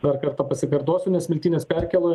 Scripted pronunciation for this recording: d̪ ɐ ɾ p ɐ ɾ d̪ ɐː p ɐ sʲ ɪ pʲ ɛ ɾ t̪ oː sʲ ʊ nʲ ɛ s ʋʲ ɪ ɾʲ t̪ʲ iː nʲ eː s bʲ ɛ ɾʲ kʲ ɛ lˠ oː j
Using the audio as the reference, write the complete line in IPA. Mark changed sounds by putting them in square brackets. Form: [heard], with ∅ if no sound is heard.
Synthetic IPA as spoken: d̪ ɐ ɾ [k] ɐ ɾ [t̪] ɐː p ɐ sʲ ɪ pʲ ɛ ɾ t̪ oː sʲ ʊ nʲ ɛ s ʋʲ ɪ [lʲ] t̪ʲ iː nʲ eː s [pʲ] ɛ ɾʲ kʲ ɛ lˠ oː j